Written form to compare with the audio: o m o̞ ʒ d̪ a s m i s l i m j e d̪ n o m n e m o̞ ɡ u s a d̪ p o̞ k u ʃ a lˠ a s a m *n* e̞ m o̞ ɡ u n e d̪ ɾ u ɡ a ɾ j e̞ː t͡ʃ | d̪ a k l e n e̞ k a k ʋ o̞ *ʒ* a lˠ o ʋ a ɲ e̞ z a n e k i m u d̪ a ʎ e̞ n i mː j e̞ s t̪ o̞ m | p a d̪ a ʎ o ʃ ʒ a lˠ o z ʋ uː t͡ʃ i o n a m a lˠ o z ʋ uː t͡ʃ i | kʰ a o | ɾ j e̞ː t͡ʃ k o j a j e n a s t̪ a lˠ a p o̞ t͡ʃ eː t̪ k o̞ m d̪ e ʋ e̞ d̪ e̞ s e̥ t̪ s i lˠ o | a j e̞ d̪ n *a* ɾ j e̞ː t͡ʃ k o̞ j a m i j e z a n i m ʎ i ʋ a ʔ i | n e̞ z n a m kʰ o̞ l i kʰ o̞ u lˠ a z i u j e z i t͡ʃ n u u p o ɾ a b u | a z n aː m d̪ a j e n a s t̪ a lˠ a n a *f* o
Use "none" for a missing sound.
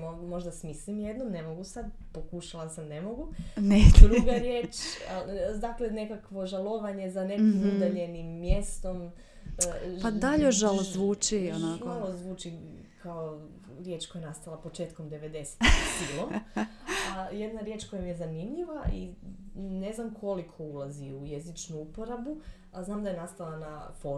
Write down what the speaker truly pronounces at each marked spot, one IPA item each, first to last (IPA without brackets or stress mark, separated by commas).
n, ʒ, a, f